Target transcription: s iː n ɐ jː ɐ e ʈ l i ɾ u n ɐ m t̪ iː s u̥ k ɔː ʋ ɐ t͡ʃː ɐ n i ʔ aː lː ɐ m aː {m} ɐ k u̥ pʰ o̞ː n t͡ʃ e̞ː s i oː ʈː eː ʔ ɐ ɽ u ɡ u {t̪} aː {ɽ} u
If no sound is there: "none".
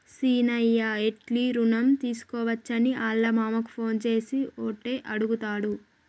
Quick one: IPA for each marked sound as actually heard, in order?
m, t̪, ɽ

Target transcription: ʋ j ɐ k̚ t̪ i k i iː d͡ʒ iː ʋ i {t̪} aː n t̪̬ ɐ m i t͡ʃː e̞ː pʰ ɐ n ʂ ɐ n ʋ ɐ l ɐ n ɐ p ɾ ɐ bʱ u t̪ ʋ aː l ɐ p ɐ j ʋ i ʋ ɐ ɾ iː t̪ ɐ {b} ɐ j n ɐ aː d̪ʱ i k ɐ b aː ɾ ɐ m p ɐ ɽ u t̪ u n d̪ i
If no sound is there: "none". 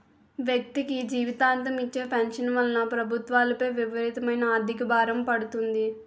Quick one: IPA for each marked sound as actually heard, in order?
t̪, m

